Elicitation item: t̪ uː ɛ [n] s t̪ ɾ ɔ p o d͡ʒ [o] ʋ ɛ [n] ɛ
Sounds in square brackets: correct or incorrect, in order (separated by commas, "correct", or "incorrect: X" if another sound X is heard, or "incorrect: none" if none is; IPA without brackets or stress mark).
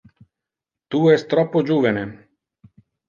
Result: incorrect: none, incorrect: u, correct